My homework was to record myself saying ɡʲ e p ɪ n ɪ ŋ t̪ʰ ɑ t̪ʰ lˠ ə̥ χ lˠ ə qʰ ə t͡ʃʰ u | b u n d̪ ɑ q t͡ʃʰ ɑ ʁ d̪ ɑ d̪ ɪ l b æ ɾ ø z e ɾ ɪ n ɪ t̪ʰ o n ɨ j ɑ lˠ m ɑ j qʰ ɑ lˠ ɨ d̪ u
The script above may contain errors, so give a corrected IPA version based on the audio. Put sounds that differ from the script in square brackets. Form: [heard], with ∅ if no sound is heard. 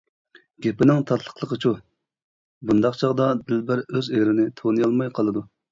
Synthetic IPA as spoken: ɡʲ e p ɪ n ɪ ŋ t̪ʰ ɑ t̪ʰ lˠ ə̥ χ lˠ ə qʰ ə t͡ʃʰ u | b u n d̪ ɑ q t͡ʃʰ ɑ ʁ d̪ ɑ d̪ ɪ l b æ ɾ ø z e ɾ ɪ n ɪ t̪ʰ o n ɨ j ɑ lˠ m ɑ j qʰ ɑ lˠ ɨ d̪ u

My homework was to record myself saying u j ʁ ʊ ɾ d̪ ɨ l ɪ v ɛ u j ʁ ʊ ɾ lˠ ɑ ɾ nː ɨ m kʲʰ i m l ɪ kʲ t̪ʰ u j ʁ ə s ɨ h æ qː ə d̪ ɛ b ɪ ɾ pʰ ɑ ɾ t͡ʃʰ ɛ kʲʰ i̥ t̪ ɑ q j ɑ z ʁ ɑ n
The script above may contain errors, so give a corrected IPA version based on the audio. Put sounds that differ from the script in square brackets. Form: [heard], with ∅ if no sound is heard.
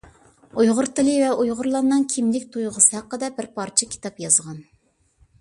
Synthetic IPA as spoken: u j ʁ ʊ ɾ [t̪] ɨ l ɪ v ɛ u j ʁ ʊ ɾ lˠ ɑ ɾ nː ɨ [ŋ] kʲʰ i m l ɪ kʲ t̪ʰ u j ʁ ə s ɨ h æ qː ə d̪ ɛ b ɪ ɾ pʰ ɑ ɾ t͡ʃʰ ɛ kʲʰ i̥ t̪ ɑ [p] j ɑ z ʁ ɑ n

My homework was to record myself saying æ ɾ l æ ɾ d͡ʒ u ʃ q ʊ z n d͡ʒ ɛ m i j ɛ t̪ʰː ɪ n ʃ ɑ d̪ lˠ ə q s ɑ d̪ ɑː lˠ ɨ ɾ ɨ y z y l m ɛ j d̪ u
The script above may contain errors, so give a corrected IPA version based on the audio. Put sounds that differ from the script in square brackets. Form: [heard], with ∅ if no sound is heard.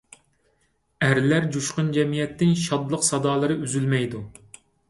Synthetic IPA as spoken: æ ɾ l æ ɾ d͡ʒ u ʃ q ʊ [∅] n d͡ʒ ɛ m i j ɛ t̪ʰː ɪ n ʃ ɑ d̪ lˠ ə q s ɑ d̪ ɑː lˠ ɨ ɾ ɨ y z y l m ɛ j d̪ u

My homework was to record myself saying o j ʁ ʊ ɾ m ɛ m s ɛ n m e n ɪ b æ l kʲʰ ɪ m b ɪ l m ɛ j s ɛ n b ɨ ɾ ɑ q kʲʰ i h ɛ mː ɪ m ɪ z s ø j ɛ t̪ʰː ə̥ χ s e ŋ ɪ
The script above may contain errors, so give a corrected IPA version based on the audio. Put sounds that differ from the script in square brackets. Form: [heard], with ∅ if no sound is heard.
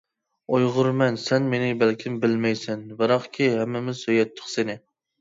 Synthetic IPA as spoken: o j ʁ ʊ ɾ m ɛ [n] s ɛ n m e n ɪ b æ l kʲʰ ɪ m b ɪ l m ɛ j s ɛ n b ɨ ɾ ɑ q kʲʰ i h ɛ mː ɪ m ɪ z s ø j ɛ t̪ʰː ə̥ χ s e [n] ɪ

